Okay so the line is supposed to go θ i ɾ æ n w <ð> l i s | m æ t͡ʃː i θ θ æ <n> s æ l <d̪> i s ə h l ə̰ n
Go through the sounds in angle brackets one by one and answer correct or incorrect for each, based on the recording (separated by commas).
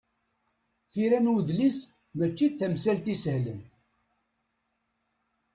correct, incorrect, incorrect